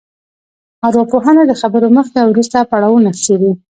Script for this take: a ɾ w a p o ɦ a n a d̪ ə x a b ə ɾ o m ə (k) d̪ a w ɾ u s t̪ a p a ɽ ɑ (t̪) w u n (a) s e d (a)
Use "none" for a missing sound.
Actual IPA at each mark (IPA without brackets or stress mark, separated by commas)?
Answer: x, none, a, i